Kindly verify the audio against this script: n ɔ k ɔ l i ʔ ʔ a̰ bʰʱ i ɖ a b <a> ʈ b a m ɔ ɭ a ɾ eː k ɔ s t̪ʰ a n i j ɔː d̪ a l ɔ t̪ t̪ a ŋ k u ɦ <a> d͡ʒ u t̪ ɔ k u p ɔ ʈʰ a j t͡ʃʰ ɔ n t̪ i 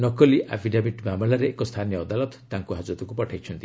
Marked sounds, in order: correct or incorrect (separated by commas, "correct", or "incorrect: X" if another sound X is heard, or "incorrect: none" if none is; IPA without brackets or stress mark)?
incorrect: i, correct